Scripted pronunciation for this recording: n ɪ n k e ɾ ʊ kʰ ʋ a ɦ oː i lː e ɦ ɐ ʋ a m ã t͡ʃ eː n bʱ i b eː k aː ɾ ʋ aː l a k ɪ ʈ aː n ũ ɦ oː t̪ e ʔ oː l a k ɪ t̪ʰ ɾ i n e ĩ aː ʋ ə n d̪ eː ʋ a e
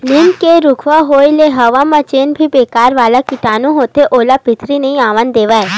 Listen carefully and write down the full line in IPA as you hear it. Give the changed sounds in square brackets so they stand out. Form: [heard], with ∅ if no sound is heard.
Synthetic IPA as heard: n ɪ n k e ɾ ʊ kʰ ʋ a ɦ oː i [l] e ɦ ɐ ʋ a m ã t͡ʃ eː n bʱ i b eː k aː ɾ ʋ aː l a k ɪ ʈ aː n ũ ɦ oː t̪ e ʔ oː l a [p] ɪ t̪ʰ ɾ i n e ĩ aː ʋ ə n d̪ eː ʋ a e